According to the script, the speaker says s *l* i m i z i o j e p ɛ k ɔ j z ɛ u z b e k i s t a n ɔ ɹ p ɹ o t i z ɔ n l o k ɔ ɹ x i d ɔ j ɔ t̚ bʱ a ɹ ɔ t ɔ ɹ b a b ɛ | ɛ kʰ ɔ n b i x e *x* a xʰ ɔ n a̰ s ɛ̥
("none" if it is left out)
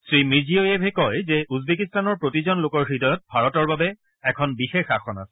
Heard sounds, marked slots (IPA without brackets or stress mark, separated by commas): ɹ, x